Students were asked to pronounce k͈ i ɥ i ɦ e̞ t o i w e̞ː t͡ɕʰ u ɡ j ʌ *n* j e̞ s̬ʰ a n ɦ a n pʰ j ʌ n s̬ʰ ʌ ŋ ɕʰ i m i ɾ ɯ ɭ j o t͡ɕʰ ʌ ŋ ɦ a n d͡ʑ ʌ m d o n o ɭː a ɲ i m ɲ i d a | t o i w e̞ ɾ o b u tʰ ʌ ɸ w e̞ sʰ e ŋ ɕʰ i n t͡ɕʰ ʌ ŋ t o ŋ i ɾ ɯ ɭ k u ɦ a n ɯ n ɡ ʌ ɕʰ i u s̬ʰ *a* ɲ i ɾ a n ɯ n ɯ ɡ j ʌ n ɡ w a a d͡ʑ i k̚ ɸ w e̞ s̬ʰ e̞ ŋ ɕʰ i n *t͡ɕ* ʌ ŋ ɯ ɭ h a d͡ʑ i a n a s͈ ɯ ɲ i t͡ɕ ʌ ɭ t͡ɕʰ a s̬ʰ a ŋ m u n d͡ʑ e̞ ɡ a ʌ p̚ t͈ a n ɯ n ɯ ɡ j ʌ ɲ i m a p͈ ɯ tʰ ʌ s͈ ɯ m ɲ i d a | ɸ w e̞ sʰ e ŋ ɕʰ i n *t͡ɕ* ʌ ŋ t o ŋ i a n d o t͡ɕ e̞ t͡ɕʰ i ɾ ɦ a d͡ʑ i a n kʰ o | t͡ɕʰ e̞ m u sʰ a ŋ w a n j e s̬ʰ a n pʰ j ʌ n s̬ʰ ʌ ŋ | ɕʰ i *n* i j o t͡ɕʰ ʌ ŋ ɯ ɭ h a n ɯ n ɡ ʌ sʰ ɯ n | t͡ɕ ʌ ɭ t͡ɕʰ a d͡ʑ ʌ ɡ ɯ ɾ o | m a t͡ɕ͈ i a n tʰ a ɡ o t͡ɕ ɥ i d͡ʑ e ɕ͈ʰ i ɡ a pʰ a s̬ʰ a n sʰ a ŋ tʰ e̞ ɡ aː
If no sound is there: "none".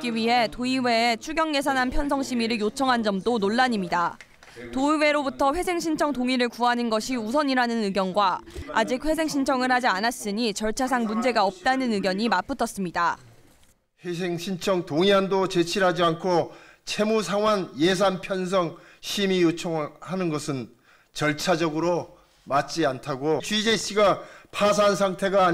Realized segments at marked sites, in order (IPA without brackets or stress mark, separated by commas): ŋ, ʌ, t͡ɕʰ, t͡ɕʰ, m